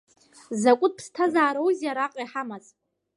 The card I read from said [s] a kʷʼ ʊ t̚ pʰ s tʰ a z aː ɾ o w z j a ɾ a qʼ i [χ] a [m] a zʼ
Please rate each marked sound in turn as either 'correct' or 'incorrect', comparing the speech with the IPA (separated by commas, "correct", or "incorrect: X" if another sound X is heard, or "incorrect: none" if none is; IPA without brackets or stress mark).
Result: incorrect: z, incorrect: ħ, correct